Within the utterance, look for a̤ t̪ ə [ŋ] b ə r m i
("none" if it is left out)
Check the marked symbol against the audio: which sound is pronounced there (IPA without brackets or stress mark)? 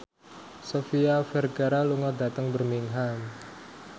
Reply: ŋ